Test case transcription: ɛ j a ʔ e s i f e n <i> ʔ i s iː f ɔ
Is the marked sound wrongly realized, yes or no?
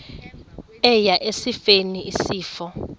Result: no